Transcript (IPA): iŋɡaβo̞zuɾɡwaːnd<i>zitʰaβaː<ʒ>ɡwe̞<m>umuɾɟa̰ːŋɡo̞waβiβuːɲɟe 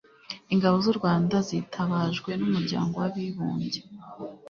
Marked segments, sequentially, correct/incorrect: incorrect, correct, incorrect

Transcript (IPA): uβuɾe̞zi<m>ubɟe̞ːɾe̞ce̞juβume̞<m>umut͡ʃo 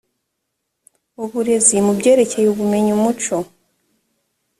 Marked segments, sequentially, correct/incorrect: correct, incorrect

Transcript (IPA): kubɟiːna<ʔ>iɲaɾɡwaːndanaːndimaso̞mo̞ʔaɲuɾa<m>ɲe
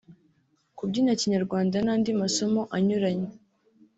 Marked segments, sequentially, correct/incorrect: incorrect, incorrect

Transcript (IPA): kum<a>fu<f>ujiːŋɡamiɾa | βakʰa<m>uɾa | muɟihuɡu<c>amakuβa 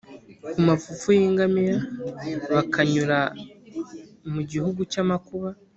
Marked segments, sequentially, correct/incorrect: correct, correct, incorrect, correct

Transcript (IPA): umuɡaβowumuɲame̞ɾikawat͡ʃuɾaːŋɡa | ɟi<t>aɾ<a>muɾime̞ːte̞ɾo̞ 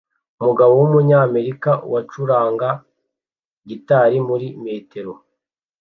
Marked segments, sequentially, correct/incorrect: correct, incorrect

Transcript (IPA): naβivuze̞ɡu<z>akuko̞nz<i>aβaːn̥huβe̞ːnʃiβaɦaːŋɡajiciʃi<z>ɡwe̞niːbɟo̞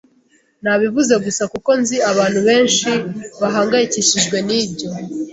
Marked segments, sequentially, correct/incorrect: incorrect, correct, incorrect

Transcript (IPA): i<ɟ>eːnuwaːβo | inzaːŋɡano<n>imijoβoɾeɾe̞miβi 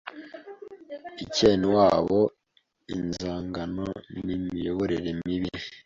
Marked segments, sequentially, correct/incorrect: incorrect, correct

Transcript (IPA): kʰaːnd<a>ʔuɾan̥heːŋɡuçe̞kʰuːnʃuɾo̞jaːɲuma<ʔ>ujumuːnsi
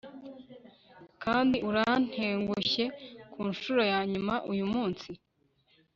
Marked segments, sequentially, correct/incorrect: incorrect, correct

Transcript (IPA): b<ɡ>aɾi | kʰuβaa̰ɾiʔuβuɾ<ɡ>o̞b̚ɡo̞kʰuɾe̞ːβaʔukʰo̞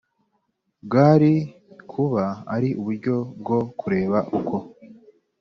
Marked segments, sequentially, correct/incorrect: correct, incorrect

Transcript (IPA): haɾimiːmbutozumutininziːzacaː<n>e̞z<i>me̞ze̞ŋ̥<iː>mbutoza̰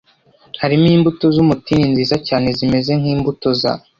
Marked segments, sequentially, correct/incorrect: correct, correct, correct

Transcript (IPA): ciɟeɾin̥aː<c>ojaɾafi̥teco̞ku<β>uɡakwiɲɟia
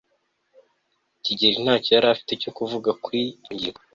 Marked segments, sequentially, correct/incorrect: correct, incorrect

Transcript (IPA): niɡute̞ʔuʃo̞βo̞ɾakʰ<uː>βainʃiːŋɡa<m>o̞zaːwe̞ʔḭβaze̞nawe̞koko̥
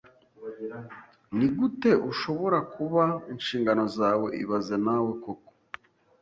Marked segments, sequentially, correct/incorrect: incorrect, incorrect

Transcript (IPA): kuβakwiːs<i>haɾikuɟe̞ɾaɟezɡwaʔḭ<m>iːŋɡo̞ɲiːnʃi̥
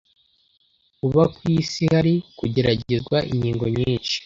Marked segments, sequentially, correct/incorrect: correct, incorrect

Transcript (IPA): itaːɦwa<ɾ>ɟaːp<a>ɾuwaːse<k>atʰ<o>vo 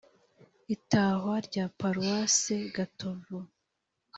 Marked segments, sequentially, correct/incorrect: correct, correct, incorrect, correct

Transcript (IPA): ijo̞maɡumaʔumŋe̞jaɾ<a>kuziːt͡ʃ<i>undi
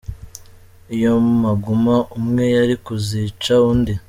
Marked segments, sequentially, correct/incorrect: incorrect, incorrect

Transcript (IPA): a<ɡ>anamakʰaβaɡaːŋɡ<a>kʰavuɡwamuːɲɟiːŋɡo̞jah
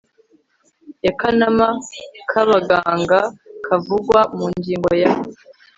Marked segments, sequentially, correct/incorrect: incorrect, correct

